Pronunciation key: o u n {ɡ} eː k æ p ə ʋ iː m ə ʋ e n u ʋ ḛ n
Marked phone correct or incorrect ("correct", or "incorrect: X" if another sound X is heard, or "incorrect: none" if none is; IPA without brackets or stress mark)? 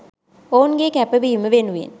correct